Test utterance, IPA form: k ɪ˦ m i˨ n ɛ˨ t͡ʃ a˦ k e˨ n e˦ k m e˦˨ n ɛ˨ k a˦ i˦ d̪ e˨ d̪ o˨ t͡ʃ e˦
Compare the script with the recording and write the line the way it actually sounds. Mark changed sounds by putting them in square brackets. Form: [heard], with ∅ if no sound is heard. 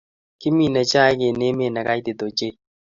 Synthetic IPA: k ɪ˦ m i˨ n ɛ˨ t͡ʃ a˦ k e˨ n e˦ [∅] m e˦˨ n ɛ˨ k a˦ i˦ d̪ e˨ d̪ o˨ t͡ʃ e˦